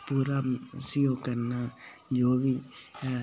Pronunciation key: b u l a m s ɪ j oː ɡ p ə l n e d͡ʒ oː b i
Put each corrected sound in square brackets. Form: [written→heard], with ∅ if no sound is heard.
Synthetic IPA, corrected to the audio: [b→p] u [l→ɾ] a m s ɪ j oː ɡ [p→k] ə [l→ɾ] n [e→a] d͡ʒ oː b i

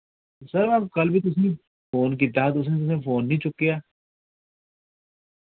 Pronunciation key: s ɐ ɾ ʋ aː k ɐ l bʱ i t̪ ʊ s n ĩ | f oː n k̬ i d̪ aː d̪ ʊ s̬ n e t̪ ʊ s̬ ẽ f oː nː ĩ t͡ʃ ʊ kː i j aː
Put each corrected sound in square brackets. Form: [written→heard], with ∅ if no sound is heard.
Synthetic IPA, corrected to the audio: s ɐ ɾ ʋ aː k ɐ l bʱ i t̪ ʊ s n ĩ | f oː n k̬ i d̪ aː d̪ ʊ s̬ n e t̪ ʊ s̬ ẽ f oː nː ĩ t͡ʃ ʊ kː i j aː

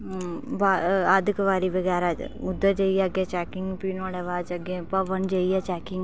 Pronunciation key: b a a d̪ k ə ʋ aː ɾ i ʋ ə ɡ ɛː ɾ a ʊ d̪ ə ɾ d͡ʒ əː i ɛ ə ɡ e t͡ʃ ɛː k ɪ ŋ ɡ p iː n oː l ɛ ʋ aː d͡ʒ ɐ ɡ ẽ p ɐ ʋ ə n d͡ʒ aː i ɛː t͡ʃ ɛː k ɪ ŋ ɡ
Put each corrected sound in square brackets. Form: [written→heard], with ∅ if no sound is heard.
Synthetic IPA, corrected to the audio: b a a d̪ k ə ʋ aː ɾ i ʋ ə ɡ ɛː ɾ a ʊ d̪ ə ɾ d͡ʒ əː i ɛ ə ɡ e t͡ʃ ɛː k ɪ ŋ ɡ p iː n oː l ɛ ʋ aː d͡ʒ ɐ ɡ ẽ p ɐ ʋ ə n d͡ʒ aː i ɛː t͡ʃ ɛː k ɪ ŋ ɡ

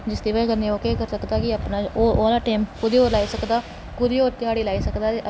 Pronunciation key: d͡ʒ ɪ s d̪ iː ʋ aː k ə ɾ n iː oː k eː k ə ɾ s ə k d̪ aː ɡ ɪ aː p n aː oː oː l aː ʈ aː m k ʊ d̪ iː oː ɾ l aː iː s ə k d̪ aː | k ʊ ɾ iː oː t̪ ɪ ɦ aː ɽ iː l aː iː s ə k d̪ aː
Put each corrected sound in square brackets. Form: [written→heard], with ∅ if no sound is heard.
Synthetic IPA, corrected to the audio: d͡ʒ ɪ s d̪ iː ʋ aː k ə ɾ n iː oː k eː k ə ɾ s ə k d̪ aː [ɡ→k] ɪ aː p n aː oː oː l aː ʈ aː m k ʊ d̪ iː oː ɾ l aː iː s ə k d̪ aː | k ʊ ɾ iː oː t̪ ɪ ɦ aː ɽ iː l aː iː s ə k d̪ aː

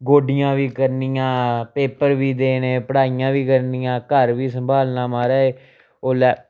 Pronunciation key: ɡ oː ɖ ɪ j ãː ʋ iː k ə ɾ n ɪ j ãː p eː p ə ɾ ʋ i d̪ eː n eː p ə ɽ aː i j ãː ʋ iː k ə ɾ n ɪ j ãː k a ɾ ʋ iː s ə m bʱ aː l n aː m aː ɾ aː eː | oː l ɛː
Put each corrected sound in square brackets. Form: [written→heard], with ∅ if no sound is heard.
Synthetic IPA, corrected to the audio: ɡ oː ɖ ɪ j ãː ʋ iː k ə ɾ n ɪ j ãː p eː p ə ɾ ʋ [i→iː] d̪ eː n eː p ə ɽ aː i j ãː ʋ iː k ə ɾ n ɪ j ãː k [a→ə] ɾ ʋ iː s ə m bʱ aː l n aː m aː ɾ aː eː | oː l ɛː

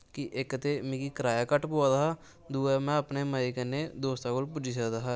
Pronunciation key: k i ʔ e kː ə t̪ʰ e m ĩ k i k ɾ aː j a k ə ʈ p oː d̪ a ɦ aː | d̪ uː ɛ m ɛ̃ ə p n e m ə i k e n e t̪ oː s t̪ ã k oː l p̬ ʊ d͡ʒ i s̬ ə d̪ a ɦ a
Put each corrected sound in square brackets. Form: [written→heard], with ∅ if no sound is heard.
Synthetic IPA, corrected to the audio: k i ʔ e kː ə [t̪ʰ→t̪] e m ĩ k i k ɾ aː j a k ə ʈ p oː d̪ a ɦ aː | d̪ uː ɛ m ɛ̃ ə p n e m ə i k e n e [t̪→d̪] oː s t̪ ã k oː l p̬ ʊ d͡ʒ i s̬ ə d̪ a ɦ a

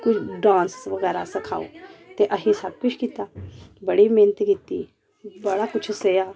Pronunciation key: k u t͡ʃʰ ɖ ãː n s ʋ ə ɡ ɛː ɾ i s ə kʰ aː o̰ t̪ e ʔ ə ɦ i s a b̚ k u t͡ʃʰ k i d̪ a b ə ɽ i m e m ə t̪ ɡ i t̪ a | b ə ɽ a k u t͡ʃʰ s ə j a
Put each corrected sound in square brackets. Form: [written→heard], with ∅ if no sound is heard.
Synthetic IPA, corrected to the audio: k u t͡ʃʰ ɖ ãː n s ʋ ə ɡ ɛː ɾ [i→a] s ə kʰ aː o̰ t̪ e ʔ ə ɦ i s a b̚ k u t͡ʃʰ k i [d̪→t̪] a b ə ɽ i m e [m→n] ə t̪ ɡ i t̪ [a→i] | b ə ɽ a k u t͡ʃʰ s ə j a

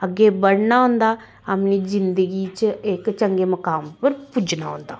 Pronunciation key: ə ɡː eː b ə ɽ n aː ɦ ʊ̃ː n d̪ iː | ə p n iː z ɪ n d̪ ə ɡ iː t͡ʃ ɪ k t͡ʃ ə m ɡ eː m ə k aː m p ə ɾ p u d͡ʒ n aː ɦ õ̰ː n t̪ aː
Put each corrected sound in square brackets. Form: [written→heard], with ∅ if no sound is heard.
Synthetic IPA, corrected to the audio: ə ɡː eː b ə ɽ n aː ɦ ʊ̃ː n d̪ [iː→aː] | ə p n iː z ɪ n d̪ ə ɡ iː t͡ʃ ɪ k t͡ʃ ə [m→ŋ] ɡ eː m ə k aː m p ə ɾ p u d͡ʒ n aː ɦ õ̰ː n [t̪→d̪] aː

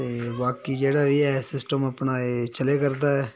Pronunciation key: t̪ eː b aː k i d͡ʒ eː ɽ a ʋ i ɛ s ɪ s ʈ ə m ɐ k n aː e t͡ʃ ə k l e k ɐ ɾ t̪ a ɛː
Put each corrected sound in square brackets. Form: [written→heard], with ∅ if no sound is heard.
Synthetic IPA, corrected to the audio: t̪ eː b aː k i d͡ʒ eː ɽ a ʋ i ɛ s ɪ s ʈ ə m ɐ [k→p] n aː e t͡ʃ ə [k→∅] l e k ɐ ɾ [t̪→d̪] a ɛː

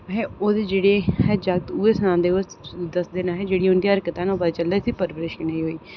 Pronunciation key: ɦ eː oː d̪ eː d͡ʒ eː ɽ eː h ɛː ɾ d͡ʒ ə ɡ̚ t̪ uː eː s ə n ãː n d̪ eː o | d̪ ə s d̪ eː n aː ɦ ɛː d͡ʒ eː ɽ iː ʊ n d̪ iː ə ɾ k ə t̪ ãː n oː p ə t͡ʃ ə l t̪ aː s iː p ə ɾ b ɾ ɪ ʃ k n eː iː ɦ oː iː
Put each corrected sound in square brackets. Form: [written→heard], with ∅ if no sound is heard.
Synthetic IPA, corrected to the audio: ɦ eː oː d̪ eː d͡ʒ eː ɽ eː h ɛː [ɾ→∅] d͡ʒ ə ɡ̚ t̪ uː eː s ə n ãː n d̪ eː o | d̪ ə s d̪ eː n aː ɦ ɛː d͡ʒ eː ɽ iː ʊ n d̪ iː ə ɾ k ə t̪ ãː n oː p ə t͡ʃ ə l [t̪→d̪] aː s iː p ə ɾ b ɾ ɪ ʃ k n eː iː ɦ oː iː

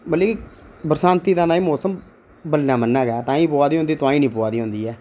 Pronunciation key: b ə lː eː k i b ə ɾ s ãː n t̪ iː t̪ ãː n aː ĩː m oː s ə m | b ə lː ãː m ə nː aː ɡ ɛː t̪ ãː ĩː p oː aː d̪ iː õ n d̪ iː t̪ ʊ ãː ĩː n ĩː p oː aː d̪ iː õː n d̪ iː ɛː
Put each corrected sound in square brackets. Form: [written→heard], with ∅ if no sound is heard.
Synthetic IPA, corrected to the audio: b ə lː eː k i b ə ɾ s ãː n t̪ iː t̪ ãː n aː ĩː m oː s ə m | b ə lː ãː m ə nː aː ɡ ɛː t̪ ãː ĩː p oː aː d̪ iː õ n d̪ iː t̪ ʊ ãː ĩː n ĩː p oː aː d̪ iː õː n d̪ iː ɛː

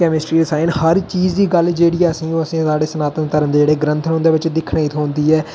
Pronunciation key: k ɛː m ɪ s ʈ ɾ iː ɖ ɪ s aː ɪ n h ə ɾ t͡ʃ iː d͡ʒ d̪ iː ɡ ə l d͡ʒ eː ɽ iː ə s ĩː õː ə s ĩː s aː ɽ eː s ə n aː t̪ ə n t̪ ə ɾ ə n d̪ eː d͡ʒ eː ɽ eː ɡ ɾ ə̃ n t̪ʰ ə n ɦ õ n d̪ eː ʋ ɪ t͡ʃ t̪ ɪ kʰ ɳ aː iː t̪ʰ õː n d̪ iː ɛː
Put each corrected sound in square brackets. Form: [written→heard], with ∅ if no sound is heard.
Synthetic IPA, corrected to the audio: k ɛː m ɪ s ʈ ɾ iː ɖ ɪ s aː ɪ n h ə ɾ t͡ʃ iː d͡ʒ d̪ iː ɡ ə l d͡ʒ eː ɽ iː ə s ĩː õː ə s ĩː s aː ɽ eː s ə n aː t̪ ə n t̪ ə ɾ ə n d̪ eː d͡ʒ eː ɽ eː ɡ ɾ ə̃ n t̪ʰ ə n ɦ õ n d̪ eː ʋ ɪ t͡ʃ [t̪→d̪] ɪ kʰ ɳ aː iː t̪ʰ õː n d̪ iː ɛː

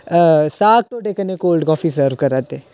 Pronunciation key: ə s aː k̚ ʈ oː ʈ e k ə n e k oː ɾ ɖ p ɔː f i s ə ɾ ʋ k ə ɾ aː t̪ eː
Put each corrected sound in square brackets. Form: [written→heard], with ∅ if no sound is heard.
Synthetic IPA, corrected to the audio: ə s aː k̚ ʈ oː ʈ e k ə n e k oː [ɾ→l] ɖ [p→k] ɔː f i s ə ɾ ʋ k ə ɾ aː t̪ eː

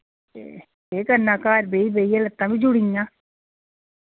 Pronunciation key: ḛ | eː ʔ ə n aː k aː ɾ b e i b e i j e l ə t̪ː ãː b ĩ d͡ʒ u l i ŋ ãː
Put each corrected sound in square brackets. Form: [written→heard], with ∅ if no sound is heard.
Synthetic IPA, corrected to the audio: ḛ | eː [ʔ→k] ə n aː k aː ɾ b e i b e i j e l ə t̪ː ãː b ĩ d͡ʒ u [l→ɽ] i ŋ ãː

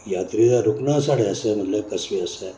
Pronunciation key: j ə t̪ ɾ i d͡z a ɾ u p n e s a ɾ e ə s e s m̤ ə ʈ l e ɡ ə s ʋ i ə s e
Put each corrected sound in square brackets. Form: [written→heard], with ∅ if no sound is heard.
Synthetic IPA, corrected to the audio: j [ə→a] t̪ ɾ i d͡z a ɾ u [p→k] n [e→a] s a [ɾ→ɽ] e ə s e [s→∅] m̤ ə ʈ l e [ɡ→k] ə s ʋ i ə s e

